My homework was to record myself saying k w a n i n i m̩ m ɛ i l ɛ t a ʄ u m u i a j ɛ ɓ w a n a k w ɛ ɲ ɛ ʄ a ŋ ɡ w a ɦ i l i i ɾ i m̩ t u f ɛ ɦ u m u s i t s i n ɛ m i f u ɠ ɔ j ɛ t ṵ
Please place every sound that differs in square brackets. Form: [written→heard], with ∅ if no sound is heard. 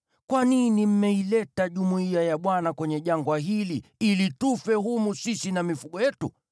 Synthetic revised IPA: k w a n i n i m̩ m ɛ i l ɛ t a ʄ u m u i a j [ɛ→a] ɓ w a n a k w ɛ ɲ ɛ ʄ a ŋ ɡ w a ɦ i l i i [ɾ→l] i [m̩→∅] t u f ɛ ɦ u m u s i [t→∅] s i n [ɛ→a] m i f u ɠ ɔ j ɛ t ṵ